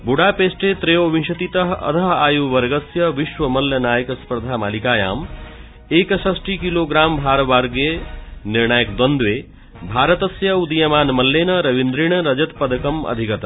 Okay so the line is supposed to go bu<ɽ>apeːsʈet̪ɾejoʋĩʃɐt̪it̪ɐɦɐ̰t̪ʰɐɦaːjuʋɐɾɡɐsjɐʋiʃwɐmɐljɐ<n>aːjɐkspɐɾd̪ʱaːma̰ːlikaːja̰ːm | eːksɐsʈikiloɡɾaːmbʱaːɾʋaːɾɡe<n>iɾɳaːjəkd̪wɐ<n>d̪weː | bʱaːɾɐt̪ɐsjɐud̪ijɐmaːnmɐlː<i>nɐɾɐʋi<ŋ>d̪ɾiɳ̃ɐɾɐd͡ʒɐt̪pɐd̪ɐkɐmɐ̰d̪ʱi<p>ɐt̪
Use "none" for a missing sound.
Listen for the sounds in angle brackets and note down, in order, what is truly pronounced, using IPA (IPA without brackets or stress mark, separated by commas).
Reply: ɽ, n, n, n, e, n, k